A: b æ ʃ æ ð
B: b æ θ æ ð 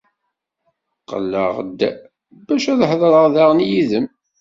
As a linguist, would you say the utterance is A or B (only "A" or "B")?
A